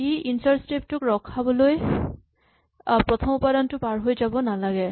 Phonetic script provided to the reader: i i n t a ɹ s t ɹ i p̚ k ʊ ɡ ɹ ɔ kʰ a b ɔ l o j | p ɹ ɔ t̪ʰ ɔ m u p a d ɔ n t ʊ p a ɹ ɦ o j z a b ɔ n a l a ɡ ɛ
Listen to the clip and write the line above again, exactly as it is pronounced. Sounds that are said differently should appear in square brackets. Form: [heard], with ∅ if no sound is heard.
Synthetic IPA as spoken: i i n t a ɹ s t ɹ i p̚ [t] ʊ [k] ɹ ɔ kʰ a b ɔ l o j | p ɹ ɔ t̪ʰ ɔ m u p a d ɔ n t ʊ p a ɹ ɦ o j z a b ɔ n a l a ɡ ɛ